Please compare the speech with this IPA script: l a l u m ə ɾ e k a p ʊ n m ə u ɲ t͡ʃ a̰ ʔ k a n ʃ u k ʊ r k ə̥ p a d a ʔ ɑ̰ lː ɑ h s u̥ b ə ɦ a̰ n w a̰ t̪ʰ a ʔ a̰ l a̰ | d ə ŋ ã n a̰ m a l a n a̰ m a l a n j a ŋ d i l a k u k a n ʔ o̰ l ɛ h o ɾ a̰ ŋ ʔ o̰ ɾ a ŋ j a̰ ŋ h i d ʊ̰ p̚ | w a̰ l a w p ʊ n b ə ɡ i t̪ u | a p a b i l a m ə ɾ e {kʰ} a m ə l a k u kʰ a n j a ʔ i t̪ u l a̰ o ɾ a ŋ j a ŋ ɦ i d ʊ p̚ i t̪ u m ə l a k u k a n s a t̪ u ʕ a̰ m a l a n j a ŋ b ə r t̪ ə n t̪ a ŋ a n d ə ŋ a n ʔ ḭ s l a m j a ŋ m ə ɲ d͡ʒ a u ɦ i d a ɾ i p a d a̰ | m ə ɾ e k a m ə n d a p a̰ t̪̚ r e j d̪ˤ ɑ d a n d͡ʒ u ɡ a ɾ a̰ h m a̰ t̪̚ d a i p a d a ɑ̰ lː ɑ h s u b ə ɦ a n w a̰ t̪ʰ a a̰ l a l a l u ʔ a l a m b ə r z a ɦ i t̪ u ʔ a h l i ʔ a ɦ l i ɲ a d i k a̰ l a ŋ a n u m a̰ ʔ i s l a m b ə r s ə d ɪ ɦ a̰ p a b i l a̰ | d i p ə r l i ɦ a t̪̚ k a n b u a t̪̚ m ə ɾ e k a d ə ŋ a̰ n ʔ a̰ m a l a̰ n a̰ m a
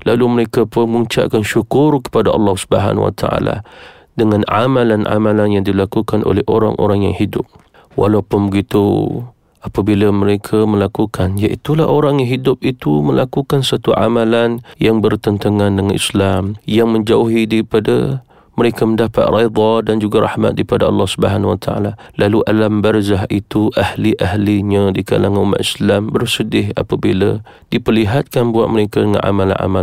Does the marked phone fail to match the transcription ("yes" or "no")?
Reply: no